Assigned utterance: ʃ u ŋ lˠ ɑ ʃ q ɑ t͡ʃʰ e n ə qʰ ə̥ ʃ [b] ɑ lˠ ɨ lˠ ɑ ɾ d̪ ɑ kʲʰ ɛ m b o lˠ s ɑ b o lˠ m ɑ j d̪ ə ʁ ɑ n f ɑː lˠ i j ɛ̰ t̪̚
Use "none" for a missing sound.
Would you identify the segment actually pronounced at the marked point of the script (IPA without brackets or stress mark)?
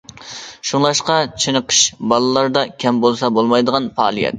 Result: b